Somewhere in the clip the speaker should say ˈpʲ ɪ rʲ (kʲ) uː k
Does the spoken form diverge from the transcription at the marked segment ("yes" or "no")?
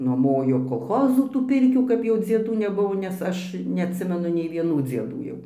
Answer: no